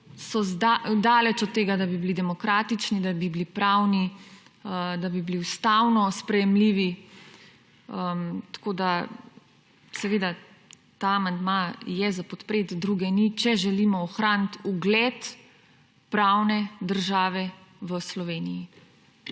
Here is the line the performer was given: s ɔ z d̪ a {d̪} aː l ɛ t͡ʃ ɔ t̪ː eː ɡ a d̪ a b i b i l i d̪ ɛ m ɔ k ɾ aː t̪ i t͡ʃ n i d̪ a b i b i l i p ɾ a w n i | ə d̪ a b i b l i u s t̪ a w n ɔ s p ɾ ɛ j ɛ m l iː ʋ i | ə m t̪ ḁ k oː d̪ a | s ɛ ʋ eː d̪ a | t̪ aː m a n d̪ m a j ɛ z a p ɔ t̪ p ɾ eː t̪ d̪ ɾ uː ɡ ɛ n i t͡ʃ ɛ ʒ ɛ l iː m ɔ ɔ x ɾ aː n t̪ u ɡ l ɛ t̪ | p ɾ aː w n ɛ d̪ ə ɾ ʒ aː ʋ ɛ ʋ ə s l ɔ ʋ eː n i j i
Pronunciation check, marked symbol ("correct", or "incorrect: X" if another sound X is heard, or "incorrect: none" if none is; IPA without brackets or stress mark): correct